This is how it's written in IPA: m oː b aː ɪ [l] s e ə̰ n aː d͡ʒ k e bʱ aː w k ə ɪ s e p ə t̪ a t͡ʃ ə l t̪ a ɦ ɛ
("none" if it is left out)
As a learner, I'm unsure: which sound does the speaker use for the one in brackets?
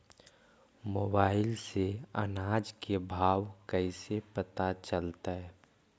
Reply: l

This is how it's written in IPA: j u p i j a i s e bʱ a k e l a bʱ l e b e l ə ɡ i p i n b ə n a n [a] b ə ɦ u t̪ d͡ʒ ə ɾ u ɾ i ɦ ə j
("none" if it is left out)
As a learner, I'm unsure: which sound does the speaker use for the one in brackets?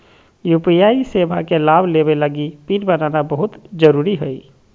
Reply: a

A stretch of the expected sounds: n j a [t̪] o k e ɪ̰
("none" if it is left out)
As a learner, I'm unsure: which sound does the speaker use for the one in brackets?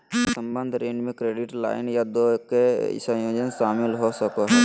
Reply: d̪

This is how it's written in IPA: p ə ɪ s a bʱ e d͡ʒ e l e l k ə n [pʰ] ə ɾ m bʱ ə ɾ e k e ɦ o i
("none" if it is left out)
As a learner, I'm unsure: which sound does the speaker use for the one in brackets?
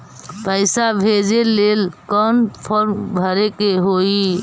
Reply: pʰ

